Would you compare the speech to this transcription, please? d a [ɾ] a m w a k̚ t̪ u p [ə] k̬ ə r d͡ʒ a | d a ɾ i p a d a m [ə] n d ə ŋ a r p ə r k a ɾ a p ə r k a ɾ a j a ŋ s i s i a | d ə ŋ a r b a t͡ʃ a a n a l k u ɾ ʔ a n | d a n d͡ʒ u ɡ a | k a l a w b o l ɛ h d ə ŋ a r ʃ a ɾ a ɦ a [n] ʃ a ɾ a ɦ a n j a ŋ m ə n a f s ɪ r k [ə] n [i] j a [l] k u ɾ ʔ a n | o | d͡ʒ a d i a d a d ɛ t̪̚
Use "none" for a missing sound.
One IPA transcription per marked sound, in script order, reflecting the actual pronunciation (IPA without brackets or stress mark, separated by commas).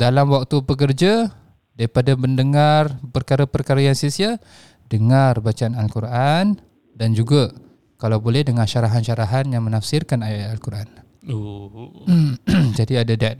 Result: l, ə, ə, n, a, a, l